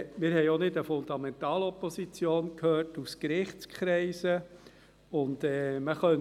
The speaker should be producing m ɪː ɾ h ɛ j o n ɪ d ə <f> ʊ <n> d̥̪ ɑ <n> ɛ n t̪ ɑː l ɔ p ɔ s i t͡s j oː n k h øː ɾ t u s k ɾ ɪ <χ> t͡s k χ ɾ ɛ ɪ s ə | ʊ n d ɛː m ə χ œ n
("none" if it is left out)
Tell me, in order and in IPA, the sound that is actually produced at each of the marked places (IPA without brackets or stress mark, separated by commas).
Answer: f, n, m, χ